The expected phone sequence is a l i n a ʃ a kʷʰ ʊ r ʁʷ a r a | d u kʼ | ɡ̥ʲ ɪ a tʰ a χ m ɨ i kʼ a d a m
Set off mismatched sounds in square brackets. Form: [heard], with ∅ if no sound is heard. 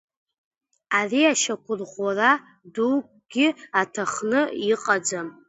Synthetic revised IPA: a [r] i [∅] a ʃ a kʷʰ ʊ r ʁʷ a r a | d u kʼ | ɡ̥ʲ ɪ a tʰ a χ [n] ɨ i [qʼ] a [d͡z] a m